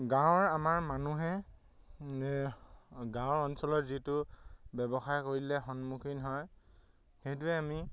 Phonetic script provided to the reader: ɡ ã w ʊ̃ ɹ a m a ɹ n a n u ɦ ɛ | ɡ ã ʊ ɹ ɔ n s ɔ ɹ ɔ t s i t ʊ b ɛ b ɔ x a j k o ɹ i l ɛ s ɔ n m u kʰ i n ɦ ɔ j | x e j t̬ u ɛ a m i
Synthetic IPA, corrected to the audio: ɡ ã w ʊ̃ ɹ a m a ɹ m a n u ɦ ɛ | ɡ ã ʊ ɹ ɔ n s ɔ l ɔ t z i t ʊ b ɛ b ɔ x a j k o ɹ i l ɛ x ɔ n m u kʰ i n ɦ ɔ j | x e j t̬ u ɛ a m i